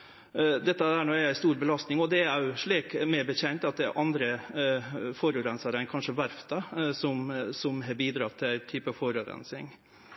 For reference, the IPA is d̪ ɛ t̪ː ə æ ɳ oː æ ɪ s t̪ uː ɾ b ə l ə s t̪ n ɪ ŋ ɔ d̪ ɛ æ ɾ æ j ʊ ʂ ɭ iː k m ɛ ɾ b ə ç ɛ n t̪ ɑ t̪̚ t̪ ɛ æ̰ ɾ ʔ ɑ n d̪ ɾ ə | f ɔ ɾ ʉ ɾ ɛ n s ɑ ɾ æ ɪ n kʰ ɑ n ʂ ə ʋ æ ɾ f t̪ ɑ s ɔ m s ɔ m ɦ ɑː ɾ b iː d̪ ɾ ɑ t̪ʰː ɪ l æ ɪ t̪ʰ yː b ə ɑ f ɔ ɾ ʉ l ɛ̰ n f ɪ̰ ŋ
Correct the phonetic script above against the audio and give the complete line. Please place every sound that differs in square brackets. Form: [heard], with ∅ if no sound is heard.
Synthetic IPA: d̪ ɛ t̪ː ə æ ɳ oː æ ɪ s t̪ uː ɾ b ə l [ɑ] s t̪ n ɪ ŋ ɔ d̪ ɛ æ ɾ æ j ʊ ʂ ɭ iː k m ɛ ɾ b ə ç ɛ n t̪ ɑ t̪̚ [d̪] ɛ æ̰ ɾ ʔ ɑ n d̪ ɾ ə | f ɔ ɾ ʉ ɾ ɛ n s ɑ ɾ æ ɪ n kʰ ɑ n ʂ ə ʋ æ ɾ f t̪ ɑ s ɔ m s ɔ m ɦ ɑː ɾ b iː d̪ ɾ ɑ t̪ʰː ɪ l æ ɪ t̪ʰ yː [p] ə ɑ f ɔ ɾ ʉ [ɾ] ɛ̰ n [s] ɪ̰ ŋ